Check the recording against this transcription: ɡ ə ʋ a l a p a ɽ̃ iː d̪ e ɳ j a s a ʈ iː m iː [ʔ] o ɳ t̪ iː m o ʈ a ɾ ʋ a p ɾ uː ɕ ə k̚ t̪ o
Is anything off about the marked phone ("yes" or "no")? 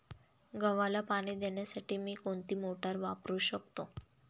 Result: yes